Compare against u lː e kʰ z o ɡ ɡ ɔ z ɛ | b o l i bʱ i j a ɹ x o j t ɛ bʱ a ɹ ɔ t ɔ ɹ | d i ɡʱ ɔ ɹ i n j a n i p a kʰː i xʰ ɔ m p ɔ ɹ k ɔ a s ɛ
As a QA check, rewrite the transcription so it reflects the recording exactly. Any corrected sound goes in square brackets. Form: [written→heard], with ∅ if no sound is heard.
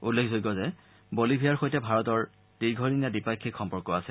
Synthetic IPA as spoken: u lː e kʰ z o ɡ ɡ ɔ z ɛ | b o l i bʱ i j a ɹ x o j t ɛ bʱ a ɹ ɔ t ɔ ɹ | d i ɡʱ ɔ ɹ i n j a [n→d] i p a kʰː i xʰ ɔ m p ɔ ɹ k ɔ a s ɛ